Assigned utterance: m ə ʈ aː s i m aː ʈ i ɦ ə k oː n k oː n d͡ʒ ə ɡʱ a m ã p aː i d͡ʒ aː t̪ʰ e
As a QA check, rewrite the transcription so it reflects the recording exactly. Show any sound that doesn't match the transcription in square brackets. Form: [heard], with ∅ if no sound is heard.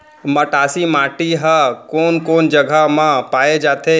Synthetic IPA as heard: m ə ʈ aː s i m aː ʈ i ɦ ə k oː n k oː n d͡ʒ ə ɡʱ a m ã p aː [e] d͡ʒ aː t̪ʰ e